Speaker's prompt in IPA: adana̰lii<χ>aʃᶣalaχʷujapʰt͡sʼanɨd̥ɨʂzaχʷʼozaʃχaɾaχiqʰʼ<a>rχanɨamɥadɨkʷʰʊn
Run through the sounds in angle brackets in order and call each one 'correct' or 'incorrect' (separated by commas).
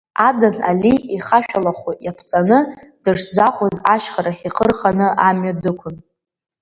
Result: correct, incorrect